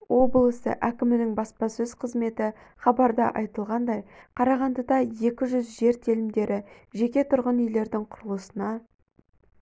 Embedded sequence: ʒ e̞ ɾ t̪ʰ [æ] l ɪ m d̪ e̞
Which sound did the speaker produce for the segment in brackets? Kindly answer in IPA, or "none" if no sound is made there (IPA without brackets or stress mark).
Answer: e